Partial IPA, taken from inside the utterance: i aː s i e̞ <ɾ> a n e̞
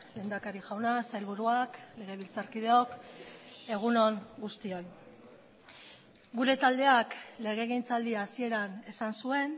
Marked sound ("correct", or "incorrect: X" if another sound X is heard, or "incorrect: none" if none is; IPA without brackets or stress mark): correct